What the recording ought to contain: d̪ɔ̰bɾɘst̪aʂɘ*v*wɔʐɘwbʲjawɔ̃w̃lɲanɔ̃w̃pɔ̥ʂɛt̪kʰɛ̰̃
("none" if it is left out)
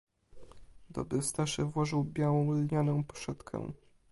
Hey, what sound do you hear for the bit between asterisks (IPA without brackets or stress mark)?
v